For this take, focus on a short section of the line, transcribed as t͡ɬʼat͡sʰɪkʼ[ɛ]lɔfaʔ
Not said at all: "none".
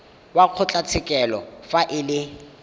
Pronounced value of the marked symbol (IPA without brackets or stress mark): ɛ